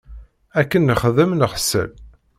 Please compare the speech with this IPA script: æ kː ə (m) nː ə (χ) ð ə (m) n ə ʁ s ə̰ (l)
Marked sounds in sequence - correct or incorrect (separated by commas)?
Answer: incorrect, correct, correct, correct